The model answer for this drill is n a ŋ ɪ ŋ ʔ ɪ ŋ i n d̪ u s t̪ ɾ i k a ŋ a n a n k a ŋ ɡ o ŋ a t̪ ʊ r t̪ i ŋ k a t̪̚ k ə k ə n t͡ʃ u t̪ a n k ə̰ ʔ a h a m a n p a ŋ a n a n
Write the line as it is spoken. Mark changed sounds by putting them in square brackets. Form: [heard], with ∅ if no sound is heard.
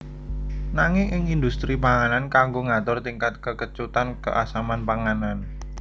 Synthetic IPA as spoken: n a ŋ ɪ ŋ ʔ ɪ ŋ i n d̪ u s t̪ ɾ i [p] a ŋ a n a n k a ŋ ɡ o ŋ a t̪ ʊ r t̪ i ŋ k a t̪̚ k ə k ə [∅] t͡ʃ u t̪ a n k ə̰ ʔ a [s] a m a n p a ŋ a n a n

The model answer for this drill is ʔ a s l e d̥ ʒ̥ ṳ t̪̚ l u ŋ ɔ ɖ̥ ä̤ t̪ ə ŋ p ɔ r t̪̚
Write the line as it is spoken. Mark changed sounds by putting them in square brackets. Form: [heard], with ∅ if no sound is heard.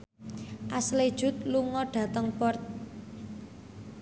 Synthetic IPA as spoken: ʔ a s l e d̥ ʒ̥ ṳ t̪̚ l u ŋ ɔ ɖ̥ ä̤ t̪ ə ŋ p ɔ r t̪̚

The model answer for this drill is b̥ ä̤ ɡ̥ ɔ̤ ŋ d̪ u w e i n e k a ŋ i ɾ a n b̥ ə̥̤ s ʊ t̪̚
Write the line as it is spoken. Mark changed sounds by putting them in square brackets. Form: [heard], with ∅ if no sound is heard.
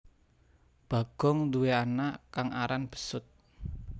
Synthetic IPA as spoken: b̥ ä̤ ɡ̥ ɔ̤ ŋ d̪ u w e [a] n [a] k a ŋ [a] ɾ a n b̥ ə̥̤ s ʊ t̪̚

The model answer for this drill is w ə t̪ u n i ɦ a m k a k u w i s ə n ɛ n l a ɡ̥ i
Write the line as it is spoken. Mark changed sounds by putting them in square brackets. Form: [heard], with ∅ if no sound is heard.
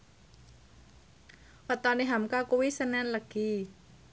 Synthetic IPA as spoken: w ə t̪ [ɔ] n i ɦ a m k a k u w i s ə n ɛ n l [ə] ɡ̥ i

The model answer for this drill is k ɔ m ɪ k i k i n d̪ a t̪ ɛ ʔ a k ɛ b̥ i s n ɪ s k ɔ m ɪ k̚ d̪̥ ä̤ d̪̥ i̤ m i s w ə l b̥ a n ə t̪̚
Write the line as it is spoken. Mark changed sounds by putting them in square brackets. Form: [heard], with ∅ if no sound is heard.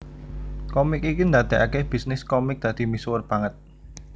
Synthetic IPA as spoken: k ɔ m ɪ k i k i n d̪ a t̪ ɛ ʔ a k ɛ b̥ i s n ɪ s k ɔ m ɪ k̚ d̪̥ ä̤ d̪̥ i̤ m i s w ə [r] b̥ a [ŋ] ə t̪̚

